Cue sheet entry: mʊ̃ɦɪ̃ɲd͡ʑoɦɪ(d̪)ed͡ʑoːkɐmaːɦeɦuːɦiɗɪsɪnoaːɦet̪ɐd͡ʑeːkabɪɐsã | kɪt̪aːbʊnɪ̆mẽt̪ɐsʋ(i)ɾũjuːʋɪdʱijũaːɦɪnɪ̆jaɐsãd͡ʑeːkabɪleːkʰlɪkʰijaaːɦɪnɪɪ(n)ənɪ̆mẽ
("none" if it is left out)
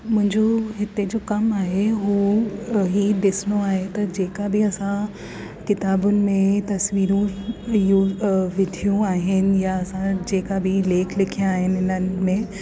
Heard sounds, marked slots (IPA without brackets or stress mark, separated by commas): t̪, iː, n